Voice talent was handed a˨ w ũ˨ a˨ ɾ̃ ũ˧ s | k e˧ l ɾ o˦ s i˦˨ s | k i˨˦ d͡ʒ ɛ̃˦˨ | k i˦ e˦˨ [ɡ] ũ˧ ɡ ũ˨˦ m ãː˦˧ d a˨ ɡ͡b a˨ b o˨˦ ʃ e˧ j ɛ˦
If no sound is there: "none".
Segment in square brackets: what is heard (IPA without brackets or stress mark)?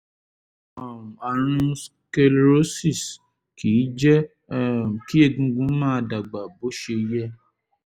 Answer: ɡ